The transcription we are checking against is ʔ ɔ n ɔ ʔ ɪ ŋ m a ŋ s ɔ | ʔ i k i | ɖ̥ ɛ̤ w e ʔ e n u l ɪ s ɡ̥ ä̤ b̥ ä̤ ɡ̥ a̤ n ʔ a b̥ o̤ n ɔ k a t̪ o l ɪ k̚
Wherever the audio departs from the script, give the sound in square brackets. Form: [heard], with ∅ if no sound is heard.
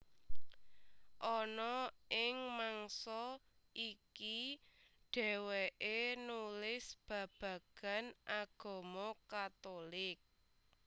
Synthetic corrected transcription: ʔ ɔ n ɔ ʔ ɪ ŋ m a ŋ s ɔ | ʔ i k i | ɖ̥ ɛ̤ w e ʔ e n u l ɪ s [b̥] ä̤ b̥ ä̤ ɡ̥ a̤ n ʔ a [ɡ̥] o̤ [m] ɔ k a t̪ o l ɪ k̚